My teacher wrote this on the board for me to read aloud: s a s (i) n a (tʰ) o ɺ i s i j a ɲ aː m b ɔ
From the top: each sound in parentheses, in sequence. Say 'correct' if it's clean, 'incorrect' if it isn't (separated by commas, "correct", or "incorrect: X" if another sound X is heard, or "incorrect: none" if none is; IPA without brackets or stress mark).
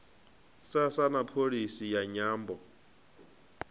incorrect: a, incorrect: pʰ